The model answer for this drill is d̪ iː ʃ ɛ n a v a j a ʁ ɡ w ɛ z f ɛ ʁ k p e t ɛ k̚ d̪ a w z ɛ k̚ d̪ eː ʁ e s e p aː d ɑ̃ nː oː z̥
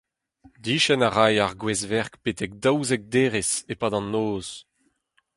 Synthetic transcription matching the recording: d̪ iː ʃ ɛ n a ʁ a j a ʁ ɡ w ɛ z v ɛ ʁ k p e t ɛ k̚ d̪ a w z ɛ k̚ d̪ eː ʁ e s e p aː d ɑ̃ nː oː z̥